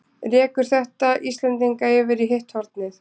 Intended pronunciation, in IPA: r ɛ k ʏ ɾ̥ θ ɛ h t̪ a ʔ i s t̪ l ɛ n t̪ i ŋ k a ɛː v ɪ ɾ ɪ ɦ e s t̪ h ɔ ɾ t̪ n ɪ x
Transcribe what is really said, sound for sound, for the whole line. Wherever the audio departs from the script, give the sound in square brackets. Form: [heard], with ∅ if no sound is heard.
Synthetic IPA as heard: r [ɛː] k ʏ ɾ̥ θ ɛ h t̪ a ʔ i s t̪ l ɛ n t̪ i ŋ k a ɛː v ɪ ɾ [i] ɦ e [h] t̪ h ɔ ɾ t̪ n ɪ [θ]